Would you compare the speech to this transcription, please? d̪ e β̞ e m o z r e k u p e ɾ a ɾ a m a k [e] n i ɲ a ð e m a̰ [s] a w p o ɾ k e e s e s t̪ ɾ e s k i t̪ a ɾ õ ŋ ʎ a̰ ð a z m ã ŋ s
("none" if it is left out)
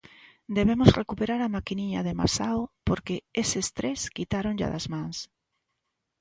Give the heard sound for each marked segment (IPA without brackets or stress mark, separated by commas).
i, s